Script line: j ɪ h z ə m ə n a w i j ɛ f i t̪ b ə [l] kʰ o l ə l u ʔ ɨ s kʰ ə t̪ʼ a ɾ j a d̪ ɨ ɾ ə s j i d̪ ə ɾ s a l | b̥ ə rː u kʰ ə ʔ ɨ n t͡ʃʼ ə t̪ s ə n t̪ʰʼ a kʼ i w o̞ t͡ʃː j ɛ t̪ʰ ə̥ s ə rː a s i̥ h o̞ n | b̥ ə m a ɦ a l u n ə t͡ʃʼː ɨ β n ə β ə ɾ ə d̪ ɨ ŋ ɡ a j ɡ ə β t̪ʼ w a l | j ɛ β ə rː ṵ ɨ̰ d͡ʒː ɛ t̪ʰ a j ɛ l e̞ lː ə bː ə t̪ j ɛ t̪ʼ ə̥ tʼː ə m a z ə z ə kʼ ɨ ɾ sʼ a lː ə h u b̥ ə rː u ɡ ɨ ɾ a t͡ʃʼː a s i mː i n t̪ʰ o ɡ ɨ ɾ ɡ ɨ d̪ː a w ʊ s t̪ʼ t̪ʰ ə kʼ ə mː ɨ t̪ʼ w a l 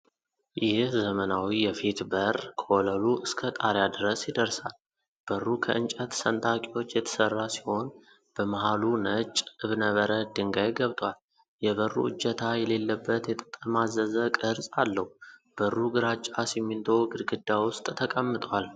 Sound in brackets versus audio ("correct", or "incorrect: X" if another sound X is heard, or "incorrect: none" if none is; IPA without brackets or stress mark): incorrect: r